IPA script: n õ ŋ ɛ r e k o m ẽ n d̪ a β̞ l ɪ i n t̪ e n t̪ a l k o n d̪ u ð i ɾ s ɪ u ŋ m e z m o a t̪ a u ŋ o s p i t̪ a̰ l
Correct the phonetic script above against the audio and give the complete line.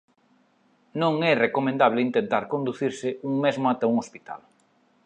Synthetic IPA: n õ ŋ ɛ r e k o m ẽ n d̪ a β̞ l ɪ i n t̪ e n t̪ a ɾ k o n d̪ u θ i ɾ s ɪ u ŋ m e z m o a t̪ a u ŋ o s p i t̪ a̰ l